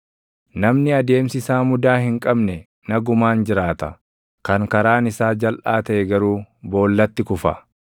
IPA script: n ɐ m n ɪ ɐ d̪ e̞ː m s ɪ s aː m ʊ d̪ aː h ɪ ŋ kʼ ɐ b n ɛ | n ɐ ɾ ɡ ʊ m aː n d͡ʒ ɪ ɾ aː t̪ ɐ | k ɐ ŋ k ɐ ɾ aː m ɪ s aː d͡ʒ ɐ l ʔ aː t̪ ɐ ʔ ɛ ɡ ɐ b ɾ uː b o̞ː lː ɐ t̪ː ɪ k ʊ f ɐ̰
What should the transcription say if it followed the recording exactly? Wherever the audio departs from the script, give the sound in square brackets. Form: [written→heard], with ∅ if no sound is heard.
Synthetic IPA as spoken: n ɐ m n ɪ ɐ d̪ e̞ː m s ɪ s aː m ʊ d̪ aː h ɪ ŋ kʼ ɐ b n ɛ | n ɐ [ɾ→∅] ɡ ʊ m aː n d͡ʒ ɪ ɾ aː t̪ ɐ | k ɐ ŋ k ɐ ɾ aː [m→n] ɪ s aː d͡ʒ ɐ l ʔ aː t̪ ɐ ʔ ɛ ɡ ɐ [b→∅] ɾ uː b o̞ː lː ɐ t̪ː ɪ k ʊ f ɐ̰